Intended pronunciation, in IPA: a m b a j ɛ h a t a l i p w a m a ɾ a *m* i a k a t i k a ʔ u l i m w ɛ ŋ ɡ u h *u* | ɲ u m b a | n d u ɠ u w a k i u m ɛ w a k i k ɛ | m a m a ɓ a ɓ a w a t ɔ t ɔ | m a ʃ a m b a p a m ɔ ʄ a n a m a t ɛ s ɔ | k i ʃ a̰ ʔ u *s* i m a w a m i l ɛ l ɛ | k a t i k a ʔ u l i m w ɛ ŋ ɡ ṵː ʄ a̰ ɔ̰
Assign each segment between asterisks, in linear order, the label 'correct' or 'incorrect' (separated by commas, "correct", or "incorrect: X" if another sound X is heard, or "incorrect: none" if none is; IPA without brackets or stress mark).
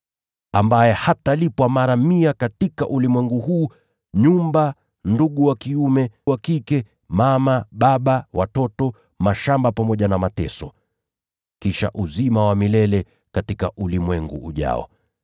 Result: correct, incorrect: uː, incorrect: z